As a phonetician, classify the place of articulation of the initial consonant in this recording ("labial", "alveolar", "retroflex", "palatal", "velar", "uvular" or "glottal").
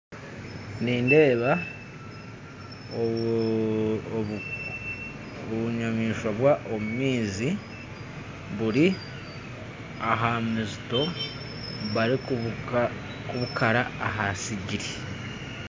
alveolar